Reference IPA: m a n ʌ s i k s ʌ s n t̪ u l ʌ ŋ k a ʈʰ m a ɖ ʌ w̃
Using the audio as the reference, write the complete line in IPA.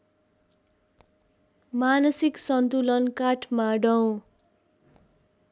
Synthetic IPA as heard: m a n ʌ s i k s ʌ n t̪ u l ʌ n k a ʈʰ m a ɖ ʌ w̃